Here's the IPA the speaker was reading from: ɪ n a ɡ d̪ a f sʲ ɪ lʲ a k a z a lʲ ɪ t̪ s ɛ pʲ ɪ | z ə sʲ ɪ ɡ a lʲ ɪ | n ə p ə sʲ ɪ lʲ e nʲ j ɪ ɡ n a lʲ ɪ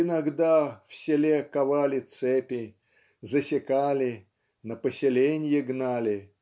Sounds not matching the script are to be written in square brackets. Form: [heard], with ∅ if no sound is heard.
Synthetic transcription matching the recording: ɪ n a ɡ d̪ a f sʲ ɪ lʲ [e] k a [v] a lʲ ɪ t̪ s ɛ pʲ ɪ | z ə sʲ ɪ [k] a lʲ ɪ | n ə p ə sʲ ɪ lʲ e nʲ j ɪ ɡ n a lʲ ɪ

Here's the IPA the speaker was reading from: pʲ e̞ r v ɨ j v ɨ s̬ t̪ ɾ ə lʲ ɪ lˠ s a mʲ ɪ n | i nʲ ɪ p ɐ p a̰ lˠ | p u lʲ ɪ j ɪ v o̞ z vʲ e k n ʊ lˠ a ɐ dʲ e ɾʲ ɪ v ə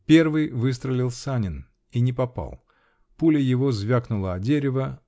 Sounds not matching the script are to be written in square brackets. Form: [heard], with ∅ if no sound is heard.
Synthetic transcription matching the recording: pʲ e̞ r v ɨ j v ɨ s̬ t̪ ɾ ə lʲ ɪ lˠ s a [nʲ] ɪ n | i nʲ ɪ p ɐ p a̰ lˠ | p u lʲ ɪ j ɪ v o̞ z vʲ [a] k n ʊ lˠ [ə] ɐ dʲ e ɾʲ ɪ v ə

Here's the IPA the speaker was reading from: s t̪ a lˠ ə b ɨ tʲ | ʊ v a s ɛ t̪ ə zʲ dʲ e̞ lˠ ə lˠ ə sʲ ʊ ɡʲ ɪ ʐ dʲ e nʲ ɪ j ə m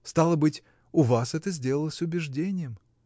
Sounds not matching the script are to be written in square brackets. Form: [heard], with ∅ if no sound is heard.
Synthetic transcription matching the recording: s t̪ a lˠ ə b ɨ tʲ | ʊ v a s ɛ t̪ ə zʲ dʲ e̞ lˠ ə lˠ ə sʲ ʊ [bʲ] ɪ ʐ dʲ e nʲ ɪ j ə m

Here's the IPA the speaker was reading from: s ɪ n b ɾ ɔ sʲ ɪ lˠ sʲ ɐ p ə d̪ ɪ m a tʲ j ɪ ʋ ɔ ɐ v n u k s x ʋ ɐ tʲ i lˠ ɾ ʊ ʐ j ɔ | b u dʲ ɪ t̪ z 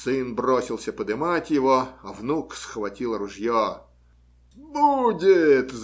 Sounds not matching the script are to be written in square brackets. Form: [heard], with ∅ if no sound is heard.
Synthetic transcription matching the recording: s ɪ n b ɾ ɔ sʲ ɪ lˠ sʲ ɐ p ə d̪ ɪ m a tʲ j ɪ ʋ ɔ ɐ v n u k s x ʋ ɐ tʲ i lˠ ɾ ʊ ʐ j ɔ | b u dʲ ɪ t̪ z

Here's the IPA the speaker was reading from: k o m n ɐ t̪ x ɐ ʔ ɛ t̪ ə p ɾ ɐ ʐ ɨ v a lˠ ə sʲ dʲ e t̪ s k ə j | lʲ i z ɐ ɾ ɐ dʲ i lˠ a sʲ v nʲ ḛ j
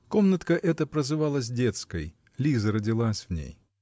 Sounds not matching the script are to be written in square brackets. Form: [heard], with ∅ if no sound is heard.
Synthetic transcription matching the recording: k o m n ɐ t̪ [k] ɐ ʔ ɛ t̪ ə p ɾ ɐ [z] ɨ v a lˠ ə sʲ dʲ e t̪ s k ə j | lʲ i z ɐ ɾ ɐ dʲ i lˠ a sʲ v nʲ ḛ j

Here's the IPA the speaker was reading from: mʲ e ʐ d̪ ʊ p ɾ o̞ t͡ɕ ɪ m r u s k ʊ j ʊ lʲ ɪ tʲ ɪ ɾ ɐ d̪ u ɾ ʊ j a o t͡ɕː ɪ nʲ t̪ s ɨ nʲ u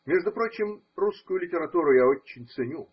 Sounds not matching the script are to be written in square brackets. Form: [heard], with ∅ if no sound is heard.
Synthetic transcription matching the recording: mʲ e ʐ d̪ ʊ p ɾ o̞ t͡ɕ ɪ m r u s k ʊ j ʊ lʲ ɪ tʲ ɪ ɾ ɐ [t̪] u ɾ ʊ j a o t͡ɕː ɪ nʲ t̪ s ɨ nʲ u

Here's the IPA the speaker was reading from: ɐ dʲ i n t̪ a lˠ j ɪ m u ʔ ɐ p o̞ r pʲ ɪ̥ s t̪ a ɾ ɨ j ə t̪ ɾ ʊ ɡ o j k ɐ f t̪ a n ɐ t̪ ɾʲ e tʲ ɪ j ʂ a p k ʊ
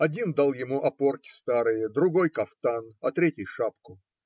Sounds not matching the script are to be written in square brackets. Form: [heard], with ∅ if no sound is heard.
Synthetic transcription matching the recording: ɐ dʲ i n [d̪] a lˠ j ɪ m u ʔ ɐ p o̞ r [kʲ] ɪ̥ s t̪ a ɾ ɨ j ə [d̪] ɾ ʊ ɡ o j k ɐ f t̪ a n ɐ t̪ ɾʲ e tʲ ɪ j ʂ a p k ʊ

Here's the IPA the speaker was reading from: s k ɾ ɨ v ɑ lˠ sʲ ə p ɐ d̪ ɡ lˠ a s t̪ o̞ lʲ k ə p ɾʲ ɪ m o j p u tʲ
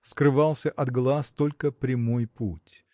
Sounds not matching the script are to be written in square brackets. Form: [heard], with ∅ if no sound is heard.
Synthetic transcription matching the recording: s k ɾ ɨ v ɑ lˠ sʲ ə [ʔ] ɐ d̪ ɡ lˠ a s t̪ o̞ lʲ k ə p ɾʲ ɪ m o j p u tʲ

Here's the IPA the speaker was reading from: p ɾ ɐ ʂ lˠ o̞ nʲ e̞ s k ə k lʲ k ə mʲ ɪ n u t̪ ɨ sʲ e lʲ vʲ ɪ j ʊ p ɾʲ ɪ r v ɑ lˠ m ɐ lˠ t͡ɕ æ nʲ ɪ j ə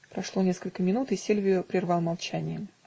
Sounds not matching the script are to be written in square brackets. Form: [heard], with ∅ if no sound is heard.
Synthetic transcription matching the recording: p ɾ ɐ ʂ lˠ o̞ nʲ e̞ s k ə [∅] lʲ k ə mʲ ɪ n u t̪ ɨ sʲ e lʲ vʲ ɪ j ʊ p ɾʲ ɪ r v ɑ lˠ m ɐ lˠ t͡ɕ æ nʲ ɪ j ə

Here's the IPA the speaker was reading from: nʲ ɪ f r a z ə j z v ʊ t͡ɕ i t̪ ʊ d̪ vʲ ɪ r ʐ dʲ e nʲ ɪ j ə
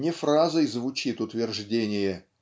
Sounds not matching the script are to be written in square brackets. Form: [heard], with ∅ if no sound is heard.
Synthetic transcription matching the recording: nʲ ɪ f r a z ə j z v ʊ t͡ɕ i t̪ ʊ [t̪] vʲ ɪ r ʐ dʲ e nʲ ɪ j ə

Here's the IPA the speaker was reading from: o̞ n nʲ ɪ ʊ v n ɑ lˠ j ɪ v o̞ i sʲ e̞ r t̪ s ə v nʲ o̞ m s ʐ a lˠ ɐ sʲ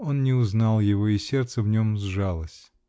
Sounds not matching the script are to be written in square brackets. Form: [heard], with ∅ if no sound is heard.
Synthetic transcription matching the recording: o̞ n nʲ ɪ ʊ [z] n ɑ lˠ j ɪ v o̞ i sʲ e̞ r t̪ s ə v nʲ o̞ m [z] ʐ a lˠ [ə] sʲ

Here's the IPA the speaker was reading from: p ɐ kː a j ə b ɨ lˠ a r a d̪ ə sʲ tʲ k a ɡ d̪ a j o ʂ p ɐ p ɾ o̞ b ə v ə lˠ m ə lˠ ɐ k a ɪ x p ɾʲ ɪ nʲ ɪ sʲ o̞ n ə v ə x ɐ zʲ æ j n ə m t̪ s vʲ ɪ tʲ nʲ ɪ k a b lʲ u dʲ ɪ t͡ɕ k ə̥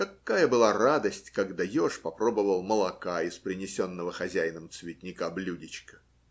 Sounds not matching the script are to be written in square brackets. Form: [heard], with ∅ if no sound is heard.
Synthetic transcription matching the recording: [k] ɐ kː a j ə b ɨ lˠ a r a d̪ ə sʲ tʲ k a ɡ d̪ a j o ʂ p ɐ p ɾ o̞ b ə v ə lˠ m ə lˠ ɐ k a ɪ [s] p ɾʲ ɪ nʲ ɪ sʲ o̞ [nː] ə v ə x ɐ zʲ æ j n ə m t̪ s vʲ ɪ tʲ nʲ ɪ k a b lʲ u dʲ ɪ t͡ɕ k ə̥

